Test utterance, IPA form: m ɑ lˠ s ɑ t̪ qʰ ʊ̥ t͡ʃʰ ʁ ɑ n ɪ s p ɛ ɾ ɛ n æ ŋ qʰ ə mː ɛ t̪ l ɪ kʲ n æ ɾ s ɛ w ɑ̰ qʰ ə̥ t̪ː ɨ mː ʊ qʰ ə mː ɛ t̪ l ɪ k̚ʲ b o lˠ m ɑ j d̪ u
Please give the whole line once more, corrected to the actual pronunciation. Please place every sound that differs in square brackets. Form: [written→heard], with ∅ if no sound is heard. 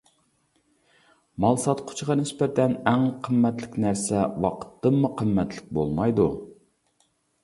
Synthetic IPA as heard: m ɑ lˠ s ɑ t̪ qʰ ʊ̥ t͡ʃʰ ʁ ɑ n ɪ s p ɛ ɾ ɛ n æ ŋ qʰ ə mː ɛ t̪ l ɪ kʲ n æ ɾ s ɛ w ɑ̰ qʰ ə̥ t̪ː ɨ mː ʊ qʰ ə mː ɛ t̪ l ɪ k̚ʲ b o lˠ m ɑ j d̪ u